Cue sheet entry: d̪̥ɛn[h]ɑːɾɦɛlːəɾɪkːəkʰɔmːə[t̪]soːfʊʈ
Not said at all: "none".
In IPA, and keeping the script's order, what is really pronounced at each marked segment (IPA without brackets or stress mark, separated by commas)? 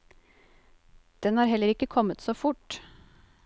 h, t̪